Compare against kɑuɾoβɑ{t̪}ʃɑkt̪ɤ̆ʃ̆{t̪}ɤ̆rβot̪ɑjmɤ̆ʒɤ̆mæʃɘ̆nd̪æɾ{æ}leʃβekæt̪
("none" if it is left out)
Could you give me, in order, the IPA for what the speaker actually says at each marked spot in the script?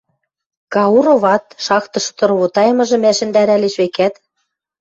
t̪, t̪, æ

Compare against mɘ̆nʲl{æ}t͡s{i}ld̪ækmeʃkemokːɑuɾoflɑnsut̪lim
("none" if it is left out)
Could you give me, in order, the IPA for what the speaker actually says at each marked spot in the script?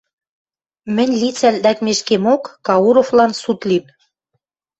i, æ

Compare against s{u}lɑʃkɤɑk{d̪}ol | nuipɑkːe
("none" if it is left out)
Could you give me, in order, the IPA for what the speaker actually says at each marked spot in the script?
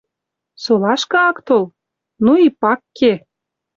o, t̪

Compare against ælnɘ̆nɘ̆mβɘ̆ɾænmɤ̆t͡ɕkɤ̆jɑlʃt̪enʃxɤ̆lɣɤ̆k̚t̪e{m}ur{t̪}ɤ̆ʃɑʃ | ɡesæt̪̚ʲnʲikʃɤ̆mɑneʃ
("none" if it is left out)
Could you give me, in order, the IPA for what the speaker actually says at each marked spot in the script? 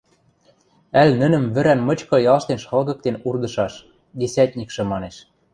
n, d̪

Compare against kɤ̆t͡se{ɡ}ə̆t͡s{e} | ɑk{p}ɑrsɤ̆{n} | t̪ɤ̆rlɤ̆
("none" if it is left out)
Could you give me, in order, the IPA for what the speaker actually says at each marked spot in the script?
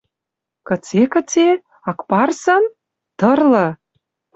k, e, p, n

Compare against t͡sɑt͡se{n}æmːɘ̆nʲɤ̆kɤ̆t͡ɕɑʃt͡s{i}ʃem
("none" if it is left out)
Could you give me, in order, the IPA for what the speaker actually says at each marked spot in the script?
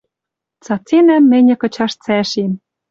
n, æ

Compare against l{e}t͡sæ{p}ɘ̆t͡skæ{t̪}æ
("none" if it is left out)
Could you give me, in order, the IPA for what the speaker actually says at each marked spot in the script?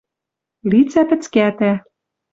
i, p, t̪

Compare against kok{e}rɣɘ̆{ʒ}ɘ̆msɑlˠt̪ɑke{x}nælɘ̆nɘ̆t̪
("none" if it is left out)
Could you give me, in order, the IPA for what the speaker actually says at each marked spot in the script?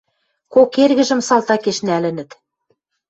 e, ʒ, ʃ

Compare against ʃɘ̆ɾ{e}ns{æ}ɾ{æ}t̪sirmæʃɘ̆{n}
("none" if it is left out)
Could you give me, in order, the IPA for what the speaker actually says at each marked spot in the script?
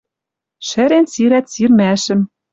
e, i, æ, m

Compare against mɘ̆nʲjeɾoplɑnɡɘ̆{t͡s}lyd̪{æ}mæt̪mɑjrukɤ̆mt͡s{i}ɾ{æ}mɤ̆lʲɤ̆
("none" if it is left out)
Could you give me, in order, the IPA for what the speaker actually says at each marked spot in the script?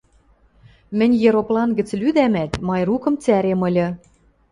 t͡s, æ, æ, e

